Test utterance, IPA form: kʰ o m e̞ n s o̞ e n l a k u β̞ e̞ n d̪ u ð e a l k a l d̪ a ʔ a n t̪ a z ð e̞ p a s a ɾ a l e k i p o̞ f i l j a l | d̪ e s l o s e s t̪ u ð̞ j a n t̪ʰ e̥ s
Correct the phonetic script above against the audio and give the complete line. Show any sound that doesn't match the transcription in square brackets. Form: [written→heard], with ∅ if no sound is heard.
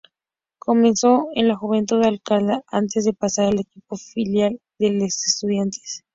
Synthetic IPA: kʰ o m e̞ n s o̞ e n l a [k→x] u β̞ e̞ n [d̪→t̪] u ð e a l k a l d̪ a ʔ a n t̪ [a→e] z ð e̞ p a s a ɾ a l e k i p o̞ f i l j a l | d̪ e [s→∅] l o s e s t̪ u ð̞ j a n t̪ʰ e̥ s